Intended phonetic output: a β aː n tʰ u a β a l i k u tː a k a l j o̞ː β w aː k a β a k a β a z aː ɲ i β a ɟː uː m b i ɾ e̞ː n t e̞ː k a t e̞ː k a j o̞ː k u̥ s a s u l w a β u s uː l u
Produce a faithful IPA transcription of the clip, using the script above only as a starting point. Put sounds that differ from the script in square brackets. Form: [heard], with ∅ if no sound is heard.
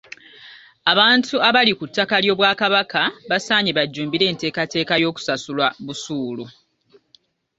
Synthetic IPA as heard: a β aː n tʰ u a β a l i k u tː a k a l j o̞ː β w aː k a β a k a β a [s] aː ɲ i β a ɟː uː m b i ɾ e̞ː n t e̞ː k a t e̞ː k a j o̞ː k u̥ s a s u l w a β u s uː l u